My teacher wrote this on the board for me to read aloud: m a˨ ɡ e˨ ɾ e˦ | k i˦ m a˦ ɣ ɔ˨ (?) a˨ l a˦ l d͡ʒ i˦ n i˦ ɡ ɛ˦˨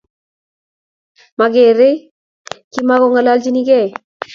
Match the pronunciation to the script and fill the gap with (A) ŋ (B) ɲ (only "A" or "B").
A